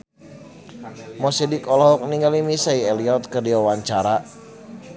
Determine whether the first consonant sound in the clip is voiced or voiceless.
voiced